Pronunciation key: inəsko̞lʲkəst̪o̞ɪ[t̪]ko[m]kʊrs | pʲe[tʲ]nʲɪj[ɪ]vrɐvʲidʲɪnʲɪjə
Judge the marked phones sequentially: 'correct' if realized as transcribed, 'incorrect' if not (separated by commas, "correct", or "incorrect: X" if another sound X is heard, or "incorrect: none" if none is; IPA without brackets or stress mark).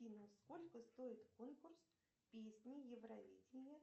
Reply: correct, incorrect: n, incorrect: sʲ, correct